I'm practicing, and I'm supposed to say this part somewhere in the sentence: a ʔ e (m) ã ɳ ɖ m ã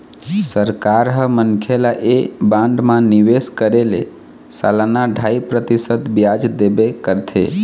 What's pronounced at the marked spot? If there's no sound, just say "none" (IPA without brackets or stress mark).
b